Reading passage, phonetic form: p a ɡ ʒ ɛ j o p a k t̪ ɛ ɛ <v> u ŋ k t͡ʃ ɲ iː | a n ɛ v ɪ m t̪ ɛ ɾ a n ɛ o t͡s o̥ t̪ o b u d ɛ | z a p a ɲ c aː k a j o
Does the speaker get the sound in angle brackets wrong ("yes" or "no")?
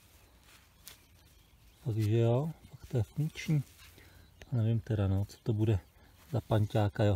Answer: yes